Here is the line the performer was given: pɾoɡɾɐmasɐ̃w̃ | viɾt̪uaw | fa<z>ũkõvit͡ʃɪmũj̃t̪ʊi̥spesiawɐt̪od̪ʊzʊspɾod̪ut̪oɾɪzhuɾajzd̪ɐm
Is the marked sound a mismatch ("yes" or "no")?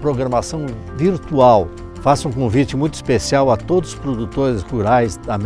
yes